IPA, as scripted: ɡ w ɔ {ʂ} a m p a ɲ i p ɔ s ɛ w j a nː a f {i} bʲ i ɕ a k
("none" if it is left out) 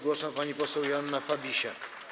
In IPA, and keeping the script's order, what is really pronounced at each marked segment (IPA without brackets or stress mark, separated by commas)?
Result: s, a